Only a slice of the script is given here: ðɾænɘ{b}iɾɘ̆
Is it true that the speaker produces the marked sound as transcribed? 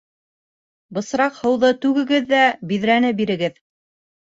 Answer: yes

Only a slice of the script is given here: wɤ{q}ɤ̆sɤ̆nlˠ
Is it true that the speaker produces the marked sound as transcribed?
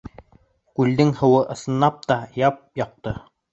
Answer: no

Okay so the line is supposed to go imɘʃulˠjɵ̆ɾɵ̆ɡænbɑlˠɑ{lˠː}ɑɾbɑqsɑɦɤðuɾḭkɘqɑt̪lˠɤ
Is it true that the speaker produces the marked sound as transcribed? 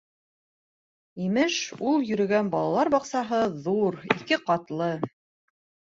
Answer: no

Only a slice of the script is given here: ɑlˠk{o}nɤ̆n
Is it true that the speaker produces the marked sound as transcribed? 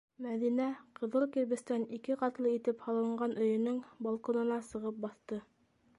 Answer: yes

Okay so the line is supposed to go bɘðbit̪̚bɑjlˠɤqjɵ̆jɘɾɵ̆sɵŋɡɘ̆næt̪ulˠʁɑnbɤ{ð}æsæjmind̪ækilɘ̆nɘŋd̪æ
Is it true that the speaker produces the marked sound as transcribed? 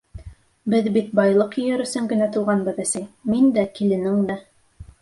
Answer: yes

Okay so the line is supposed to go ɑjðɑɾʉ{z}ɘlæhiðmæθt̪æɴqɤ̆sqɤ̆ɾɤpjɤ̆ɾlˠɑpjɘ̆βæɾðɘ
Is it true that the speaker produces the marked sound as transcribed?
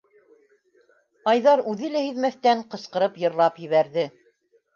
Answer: no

